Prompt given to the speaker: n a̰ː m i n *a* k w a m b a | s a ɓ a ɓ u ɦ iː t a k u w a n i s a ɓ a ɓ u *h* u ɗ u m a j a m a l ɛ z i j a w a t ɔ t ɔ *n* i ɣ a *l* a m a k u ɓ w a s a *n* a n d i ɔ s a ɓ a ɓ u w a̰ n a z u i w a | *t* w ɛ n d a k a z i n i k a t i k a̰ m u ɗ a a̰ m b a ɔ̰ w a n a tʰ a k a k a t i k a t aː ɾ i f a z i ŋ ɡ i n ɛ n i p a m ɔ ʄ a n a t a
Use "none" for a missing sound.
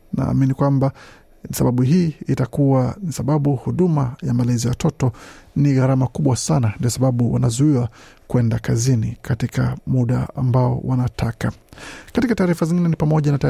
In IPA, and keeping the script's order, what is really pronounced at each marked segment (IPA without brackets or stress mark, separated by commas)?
i, h, n, ɾ, n, k